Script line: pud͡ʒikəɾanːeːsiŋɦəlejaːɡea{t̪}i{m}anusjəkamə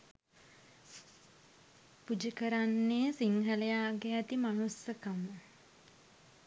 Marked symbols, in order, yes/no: yes, yes

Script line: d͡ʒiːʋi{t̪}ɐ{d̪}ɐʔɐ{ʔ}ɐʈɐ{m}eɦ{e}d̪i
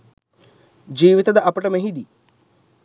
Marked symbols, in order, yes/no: yes, yes, no, yes, no

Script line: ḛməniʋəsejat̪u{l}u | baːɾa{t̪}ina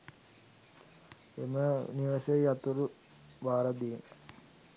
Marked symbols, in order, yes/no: no, no

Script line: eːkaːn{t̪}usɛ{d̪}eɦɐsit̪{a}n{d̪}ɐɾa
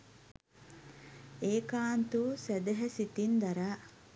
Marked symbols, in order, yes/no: yes, yes, no, yes

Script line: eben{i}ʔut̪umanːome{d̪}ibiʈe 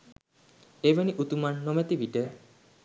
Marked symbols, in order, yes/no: yes, no

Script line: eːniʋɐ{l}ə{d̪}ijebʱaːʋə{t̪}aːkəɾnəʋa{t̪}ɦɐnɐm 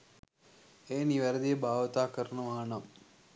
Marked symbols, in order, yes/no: no, yes, yes, no

